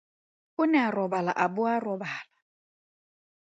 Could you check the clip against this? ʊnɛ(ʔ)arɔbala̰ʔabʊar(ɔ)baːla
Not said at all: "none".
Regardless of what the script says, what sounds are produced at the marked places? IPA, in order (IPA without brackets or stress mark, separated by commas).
none, ɔ